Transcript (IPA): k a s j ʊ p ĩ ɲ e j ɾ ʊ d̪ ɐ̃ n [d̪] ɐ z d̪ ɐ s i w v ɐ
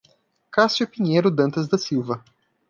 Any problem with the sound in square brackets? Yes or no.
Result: yes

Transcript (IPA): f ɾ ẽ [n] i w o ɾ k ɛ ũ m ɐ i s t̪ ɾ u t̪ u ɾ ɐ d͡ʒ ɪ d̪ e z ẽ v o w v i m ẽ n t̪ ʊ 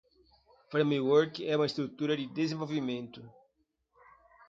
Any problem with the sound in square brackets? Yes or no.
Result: yes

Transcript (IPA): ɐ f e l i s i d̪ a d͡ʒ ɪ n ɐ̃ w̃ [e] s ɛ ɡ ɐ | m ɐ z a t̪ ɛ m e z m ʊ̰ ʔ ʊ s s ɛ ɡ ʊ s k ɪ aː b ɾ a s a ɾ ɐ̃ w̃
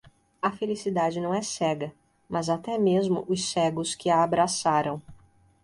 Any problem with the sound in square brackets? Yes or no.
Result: yes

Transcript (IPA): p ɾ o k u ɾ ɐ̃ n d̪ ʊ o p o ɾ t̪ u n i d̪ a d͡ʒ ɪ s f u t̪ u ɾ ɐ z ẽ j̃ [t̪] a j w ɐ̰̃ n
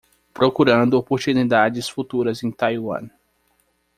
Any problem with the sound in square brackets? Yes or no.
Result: no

